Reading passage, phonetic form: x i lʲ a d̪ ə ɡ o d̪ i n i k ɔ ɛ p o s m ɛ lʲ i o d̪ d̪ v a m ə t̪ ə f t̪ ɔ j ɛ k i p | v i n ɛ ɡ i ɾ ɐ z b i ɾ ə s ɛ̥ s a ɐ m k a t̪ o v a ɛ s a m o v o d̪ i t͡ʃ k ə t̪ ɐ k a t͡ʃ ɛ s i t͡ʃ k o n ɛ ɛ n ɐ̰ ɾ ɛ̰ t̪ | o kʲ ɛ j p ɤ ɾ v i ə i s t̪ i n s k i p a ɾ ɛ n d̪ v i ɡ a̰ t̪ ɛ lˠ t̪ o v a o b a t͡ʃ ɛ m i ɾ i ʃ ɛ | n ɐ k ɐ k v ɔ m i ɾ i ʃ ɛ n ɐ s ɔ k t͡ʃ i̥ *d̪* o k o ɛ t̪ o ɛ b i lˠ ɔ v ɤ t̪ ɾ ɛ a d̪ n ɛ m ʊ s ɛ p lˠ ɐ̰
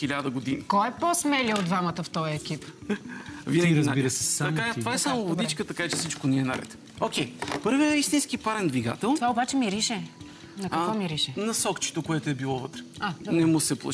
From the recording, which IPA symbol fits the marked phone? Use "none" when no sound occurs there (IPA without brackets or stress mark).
t̪